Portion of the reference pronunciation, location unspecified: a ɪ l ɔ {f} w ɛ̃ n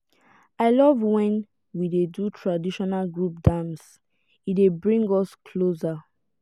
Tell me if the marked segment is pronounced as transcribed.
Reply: no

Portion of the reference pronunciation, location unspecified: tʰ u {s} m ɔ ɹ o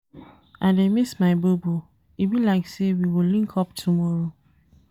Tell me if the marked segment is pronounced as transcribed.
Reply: no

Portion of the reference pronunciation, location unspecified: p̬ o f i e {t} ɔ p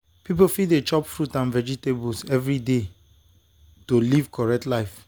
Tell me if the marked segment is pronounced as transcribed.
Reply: no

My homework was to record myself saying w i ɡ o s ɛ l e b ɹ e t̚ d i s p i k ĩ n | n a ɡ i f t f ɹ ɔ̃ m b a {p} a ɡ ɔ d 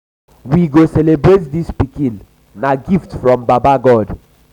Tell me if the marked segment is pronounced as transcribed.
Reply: no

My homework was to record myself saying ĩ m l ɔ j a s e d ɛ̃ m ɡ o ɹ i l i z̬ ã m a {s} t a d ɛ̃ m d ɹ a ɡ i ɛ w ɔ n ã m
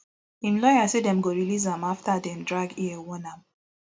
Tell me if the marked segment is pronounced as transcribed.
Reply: no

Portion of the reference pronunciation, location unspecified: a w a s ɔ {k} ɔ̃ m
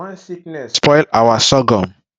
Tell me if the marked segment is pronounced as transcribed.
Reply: no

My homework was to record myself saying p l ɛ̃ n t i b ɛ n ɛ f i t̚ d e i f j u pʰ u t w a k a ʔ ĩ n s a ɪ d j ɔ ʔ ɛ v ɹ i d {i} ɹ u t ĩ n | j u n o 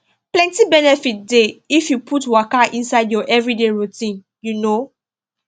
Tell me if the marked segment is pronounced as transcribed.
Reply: no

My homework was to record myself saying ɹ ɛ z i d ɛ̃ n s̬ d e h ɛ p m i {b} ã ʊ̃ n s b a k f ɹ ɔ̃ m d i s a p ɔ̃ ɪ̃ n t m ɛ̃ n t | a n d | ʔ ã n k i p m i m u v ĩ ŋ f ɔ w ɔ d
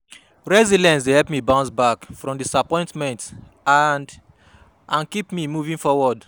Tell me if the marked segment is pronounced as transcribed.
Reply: yes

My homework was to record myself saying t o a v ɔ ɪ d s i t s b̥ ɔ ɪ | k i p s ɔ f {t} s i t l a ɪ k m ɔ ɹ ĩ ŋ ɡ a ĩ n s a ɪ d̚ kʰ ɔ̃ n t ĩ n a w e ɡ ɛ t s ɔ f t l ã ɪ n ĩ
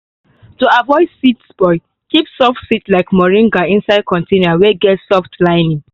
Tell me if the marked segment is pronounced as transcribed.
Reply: yes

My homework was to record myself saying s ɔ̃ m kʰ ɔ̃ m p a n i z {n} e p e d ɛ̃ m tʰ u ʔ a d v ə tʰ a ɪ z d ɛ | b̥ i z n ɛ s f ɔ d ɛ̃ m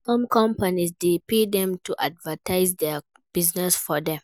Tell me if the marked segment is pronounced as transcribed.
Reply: no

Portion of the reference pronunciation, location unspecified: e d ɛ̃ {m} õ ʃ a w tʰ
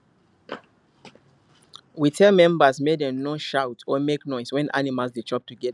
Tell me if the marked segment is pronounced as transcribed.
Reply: no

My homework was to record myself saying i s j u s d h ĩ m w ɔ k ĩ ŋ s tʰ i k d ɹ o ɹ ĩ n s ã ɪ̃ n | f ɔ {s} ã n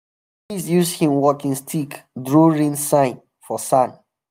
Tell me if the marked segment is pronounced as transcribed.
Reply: yes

